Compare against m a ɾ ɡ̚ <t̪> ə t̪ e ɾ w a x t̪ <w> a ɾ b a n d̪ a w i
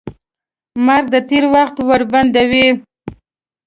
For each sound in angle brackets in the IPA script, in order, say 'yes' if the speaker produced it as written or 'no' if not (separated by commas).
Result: no, yes